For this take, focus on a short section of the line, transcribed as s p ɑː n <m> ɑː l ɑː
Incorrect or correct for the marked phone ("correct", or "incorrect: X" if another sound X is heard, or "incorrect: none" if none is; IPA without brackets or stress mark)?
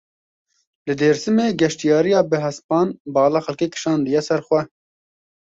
incorrect: b